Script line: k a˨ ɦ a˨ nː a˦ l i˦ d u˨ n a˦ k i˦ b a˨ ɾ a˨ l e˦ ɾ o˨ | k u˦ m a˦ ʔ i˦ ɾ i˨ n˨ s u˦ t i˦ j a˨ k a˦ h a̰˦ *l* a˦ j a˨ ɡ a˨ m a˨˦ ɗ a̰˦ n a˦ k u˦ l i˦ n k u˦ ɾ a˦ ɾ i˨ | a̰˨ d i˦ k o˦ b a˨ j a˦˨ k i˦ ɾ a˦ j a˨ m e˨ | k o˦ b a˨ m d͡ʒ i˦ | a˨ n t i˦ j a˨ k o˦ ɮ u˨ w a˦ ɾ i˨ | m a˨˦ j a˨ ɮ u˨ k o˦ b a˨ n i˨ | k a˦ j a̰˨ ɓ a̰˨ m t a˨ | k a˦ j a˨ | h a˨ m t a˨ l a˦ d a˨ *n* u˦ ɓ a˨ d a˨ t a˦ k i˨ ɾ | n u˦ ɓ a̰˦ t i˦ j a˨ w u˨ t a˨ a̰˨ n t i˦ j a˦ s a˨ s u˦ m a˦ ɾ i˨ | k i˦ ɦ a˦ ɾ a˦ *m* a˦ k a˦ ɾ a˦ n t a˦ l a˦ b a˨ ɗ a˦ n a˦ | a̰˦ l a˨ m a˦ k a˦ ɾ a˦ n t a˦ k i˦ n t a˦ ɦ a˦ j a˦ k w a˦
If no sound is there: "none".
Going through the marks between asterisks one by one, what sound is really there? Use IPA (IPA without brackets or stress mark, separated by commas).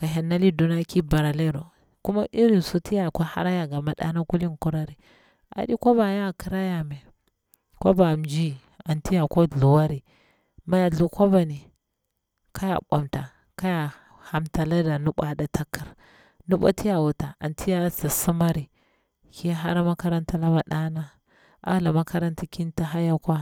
ɾ, n, m